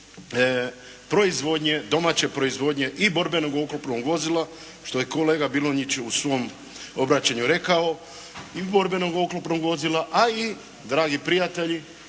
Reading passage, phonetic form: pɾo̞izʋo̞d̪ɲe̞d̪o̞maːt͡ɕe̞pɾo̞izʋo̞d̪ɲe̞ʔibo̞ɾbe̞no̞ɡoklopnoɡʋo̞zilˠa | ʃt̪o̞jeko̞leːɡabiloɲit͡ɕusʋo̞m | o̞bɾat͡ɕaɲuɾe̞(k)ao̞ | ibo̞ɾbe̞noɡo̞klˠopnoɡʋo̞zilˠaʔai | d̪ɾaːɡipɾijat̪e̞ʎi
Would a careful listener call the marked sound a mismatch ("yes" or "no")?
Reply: no